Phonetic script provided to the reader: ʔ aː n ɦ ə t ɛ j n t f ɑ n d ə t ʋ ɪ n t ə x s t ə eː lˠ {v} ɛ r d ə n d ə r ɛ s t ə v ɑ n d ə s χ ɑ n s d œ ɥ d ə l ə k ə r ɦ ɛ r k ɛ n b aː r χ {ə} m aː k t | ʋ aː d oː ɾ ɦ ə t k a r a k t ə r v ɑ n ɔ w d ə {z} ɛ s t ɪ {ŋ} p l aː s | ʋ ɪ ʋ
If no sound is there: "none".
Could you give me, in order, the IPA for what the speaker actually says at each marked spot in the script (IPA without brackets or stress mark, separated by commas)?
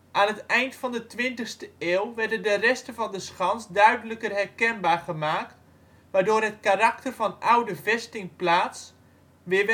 ʋ, ə, v, ŋ